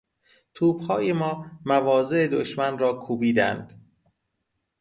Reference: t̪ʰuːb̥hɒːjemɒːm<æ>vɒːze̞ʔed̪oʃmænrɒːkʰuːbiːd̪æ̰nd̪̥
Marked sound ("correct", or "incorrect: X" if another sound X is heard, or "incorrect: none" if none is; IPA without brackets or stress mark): correct